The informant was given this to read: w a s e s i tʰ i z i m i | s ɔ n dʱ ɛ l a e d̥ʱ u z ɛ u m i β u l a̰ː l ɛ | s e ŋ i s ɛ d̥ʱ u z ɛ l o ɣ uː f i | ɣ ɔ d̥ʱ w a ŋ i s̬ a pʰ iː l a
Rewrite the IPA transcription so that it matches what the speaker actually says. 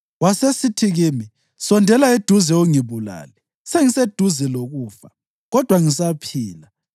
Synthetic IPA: w a s e s i tʰ i ɣ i m i | s ɔ n dʱ ɛ l a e d̥ʱ u z ɛ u ŋ i β u l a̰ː l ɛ | s e ŋ i s e d̥ʱ u z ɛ l o ɣ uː f a | ɣ ɔ d̥ʱ w a ŋ i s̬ a pʰ iː l a